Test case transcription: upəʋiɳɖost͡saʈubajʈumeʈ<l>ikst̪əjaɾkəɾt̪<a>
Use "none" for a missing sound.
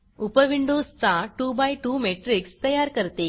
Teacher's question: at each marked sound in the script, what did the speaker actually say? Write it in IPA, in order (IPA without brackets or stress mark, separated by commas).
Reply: ɾ, e